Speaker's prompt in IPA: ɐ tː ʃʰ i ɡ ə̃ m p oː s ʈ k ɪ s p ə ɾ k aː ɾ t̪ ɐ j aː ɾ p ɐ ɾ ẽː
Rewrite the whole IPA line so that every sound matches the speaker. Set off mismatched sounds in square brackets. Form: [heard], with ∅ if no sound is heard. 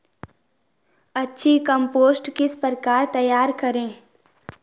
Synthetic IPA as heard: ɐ tː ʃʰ i [k] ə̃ m p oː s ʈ k ɪ s p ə ɾ k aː ɾ t̪ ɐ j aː ɾ [k] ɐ ɾ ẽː